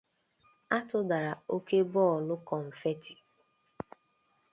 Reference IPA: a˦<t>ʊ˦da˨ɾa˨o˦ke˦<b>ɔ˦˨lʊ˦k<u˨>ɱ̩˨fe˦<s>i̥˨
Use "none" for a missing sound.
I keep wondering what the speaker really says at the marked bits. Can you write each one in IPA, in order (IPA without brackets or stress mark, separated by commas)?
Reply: t, b, ɔ˨, t